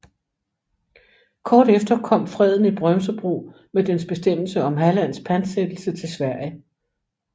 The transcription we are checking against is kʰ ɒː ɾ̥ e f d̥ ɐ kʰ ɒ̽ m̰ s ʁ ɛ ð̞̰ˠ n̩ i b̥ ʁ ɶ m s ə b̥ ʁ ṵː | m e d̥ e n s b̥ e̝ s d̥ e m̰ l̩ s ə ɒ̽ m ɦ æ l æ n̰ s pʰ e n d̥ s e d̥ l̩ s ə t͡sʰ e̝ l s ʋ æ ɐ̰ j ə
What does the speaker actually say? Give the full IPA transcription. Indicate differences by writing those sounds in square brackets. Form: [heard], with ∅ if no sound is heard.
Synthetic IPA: kʰ ɒː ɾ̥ e f d̥ ɐ kʰ ɒ̽ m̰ [f] ʁ ɛ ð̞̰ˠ n̩ i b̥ ʁ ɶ m s ə b̥ ʁ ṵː | m e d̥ e n s b̥ e̝ s d̥ e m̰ l̩ s ə ɒ̽ m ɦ æ l æ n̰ s pʰ [æ] n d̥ s e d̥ l̩ s ə t͡sʰ e̝ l s ʋ æ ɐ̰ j ə